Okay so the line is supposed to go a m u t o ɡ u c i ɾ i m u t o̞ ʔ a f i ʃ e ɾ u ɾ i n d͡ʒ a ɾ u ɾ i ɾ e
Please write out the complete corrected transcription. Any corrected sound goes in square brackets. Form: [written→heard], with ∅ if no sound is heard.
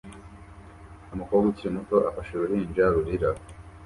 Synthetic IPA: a m u [t→k] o ɡ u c i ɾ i m u t o̞ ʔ a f [i→a] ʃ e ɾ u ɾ i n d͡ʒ a ɾ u ɾ i ɾ [e→a]